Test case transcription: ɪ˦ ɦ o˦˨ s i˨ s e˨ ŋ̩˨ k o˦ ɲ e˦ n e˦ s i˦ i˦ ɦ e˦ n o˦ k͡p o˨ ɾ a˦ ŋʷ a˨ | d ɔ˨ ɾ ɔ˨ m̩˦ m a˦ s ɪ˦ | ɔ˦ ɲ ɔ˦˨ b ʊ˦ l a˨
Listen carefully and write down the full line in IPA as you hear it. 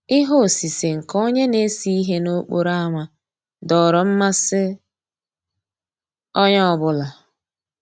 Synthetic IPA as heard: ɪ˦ ɦ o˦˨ s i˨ s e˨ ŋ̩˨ k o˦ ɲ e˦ n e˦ s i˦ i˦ ɦ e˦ n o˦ k͡p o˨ ɾ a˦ ŋʷ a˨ | d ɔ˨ ɾ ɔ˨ m̩˦ m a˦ s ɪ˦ | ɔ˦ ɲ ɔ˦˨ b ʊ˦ l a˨